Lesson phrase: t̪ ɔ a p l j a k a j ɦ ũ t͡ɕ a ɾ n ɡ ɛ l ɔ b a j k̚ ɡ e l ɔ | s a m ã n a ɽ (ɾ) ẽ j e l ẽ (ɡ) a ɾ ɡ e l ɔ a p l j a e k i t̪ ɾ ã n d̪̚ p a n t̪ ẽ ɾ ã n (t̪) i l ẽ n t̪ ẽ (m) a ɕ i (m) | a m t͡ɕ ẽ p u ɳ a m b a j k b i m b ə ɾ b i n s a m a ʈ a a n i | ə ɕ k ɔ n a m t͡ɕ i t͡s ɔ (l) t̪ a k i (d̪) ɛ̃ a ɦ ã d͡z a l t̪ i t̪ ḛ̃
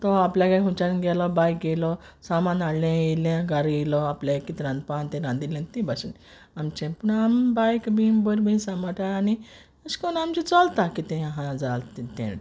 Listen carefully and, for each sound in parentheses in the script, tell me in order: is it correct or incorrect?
incorrect: l, correct, incorrect: d̪, incorrect: b, incorrect: n, correct, incorrect: t̪

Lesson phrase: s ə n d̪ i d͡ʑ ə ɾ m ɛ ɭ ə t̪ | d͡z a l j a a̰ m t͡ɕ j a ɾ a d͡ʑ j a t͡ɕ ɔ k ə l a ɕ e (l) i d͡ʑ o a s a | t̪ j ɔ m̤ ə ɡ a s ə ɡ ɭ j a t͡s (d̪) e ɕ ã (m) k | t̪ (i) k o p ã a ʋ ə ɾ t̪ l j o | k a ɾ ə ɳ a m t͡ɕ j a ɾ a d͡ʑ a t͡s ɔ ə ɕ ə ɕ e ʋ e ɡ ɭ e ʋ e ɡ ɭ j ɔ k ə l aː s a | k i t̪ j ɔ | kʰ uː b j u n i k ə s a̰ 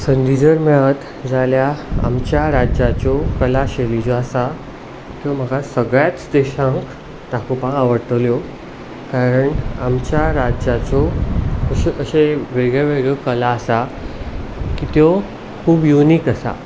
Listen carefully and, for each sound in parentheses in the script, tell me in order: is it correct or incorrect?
correct, correct, incorrect: ŋ, incorrect: a

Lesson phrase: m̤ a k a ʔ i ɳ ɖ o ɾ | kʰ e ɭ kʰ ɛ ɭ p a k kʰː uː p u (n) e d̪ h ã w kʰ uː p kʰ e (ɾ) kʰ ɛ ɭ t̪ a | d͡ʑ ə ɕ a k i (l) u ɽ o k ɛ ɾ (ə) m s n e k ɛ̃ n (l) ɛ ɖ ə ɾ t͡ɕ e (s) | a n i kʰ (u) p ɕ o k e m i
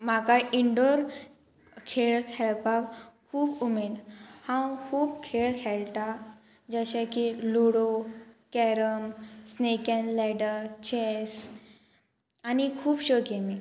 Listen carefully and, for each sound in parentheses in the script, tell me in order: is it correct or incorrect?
incorrect: m, incorrect: ɭ, correct, correct, correct, correct, incorrect: uː

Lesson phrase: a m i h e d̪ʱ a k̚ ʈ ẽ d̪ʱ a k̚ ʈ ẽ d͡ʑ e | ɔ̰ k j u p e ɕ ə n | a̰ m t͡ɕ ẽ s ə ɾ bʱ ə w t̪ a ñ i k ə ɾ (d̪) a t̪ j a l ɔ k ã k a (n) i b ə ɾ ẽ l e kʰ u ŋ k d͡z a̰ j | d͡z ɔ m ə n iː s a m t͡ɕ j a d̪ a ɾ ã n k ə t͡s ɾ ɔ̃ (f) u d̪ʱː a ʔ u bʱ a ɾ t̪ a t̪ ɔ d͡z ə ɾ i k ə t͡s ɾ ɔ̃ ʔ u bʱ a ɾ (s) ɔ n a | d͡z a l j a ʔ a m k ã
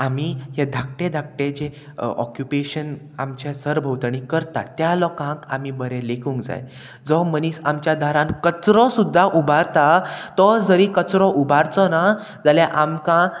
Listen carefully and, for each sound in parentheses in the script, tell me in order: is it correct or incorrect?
incorrect: t̪, incorrect: m, incorrect: s, incorrect: t͡s

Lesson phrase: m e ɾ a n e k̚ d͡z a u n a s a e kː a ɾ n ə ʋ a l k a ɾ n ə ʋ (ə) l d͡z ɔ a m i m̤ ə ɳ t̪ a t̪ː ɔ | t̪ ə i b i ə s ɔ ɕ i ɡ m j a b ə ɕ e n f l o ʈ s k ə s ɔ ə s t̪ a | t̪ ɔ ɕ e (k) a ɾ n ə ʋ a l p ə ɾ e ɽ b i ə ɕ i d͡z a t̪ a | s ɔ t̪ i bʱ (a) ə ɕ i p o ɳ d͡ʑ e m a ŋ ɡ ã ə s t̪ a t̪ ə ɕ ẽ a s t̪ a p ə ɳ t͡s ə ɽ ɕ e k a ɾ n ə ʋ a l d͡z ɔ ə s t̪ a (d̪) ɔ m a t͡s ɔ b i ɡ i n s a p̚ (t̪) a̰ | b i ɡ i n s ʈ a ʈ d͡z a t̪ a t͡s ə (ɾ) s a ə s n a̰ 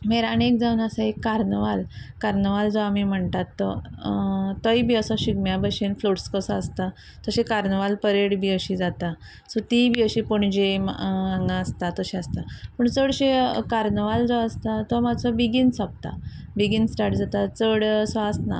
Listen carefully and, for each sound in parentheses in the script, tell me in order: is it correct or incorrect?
incorrect: a, correct, incorrect: i, incorrect: t̪, correct, incorrect: ɽ

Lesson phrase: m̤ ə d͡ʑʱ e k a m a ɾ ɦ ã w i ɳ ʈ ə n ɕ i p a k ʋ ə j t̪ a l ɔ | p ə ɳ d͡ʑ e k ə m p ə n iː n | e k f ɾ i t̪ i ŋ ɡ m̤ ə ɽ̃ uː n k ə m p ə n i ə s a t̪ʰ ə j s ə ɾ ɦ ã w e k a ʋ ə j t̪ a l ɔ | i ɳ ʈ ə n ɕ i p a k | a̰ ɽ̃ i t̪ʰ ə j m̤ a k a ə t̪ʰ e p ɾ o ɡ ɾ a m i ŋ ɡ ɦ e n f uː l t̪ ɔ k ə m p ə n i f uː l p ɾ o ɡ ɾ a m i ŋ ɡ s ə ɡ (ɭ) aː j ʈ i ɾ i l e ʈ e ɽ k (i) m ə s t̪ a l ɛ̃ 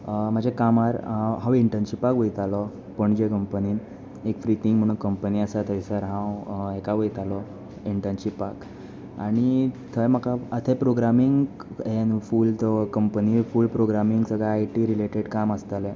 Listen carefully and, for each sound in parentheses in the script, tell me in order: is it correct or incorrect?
correct, incorrect: a

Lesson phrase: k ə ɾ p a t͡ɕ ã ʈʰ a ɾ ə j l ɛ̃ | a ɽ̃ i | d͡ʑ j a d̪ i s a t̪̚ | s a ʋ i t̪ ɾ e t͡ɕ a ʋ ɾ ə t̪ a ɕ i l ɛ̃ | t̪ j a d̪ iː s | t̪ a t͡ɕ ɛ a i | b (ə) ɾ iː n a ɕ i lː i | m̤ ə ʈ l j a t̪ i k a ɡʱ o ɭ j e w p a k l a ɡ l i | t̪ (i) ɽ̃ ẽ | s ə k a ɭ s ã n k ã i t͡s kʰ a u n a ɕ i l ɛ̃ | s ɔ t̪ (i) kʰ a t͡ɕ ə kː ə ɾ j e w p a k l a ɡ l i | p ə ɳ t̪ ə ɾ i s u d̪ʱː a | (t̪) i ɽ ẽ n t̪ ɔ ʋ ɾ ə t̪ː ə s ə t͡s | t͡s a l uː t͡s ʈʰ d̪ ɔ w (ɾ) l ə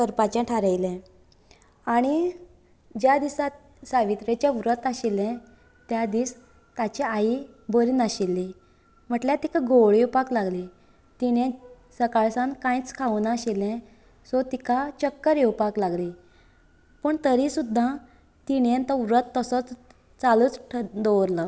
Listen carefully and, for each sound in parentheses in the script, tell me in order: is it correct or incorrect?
correct, correct, correct, correct, correct

